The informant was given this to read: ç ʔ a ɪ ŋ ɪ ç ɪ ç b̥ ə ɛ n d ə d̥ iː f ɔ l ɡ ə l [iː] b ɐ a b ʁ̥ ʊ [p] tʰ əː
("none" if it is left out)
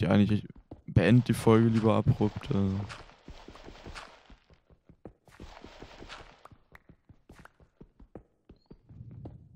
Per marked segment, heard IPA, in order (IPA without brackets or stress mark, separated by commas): iː, p